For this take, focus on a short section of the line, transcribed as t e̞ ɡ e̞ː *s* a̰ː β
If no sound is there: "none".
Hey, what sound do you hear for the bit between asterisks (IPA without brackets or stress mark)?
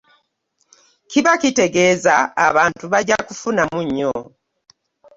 z